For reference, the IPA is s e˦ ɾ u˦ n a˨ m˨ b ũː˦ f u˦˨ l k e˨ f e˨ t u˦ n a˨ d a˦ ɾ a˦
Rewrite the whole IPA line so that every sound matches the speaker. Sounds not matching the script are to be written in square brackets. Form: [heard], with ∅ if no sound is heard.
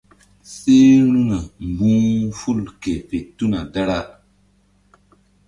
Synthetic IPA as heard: s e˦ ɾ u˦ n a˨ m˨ b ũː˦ f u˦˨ l k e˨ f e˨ t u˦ n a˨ d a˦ ɾ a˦